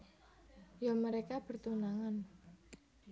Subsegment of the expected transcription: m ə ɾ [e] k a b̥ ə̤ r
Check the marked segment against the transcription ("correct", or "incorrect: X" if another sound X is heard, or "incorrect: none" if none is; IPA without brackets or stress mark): correct